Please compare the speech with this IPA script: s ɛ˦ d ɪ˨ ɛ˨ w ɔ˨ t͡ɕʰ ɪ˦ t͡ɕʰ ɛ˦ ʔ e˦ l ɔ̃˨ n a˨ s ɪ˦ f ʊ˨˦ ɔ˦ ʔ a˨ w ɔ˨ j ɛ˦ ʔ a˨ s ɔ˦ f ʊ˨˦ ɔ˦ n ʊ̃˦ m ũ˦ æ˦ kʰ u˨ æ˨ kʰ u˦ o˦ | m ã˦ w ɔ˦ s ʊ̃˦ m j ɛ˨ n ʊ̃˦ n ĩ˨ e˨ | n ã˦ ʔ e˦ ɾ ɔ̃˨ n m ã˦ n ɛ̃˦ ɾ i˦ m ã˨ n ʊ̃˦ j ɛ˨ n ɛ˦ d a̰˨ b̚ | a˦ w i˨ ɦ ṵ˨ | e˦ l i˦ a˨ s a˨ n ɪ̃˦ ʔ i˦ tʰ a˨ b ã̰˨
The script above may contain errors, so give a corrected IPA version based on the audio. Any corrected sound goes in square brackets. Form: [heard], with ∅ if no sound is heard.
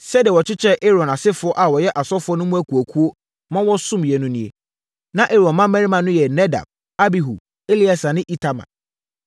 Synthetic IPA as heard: s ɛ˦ d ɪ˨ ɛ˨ w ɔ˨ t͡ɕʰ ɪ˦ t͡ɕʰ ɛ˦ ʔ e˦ [ɾ] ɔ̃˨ n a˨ s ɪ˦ f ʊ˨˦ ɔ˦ ʔ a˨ w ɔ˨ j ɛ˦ ʔ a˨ s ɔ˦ f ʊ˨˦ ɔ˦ n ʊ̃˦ m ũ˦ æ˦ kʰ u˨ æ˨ kʰ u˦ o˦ | m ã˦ w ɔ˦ s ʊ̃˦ m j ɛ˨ n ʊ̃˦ n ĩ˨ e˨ | n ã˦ ʔ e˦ ɾ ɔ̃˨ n m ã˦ [m] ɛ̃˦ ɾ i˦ m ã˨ n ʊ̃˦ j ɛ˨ n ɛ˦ d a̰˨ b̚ | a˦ [b] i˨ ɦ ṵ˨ | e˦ l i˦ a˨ s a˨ n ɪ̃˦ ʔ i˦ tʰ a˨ [m] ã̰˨